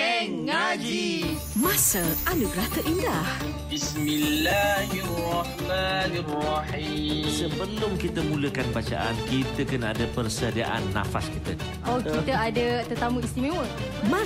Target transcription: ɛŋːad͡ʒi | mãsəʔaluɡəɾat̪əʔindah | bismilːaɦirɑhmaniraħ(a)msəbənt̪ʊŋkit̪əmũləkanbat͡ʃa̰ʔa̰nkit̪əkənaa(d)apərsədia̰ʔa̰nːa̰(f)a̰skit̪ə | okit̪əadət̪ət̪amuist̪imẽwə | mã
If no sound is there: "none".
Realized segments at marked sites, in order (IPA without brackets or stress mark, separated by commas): i, d, f